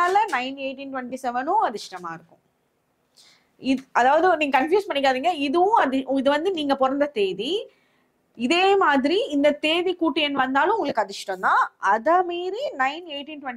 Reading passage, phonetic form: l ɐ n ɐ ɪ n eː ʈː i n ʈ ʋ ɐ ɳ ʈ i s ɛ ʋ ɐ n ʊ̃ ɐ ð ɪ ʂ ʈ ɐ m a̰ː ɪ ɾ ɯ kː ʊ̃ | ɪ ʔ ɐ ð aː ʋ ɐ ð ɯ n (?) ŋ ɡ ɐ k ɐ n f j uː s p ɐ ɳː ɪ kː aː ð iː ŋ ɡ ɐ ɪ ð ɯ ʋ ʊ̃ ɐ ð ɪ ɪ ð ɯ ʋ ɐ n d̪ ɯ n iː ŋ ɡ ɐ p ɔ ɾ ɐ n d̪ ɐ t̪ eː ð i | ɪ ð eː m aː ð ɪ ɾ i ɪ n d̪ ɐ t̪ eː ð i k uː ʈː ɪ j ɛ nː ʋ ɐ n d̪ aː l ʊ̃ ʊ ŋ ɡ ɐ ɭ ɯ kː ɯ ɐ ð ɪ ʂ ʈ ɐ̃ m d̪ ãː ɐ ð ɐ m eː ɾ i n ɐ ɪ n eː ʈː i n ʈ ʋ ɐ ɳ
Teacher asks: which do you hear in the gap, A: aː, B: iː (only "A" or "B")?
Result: B